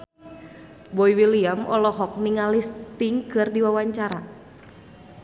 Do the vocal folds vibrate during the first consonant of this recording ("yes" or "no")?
yes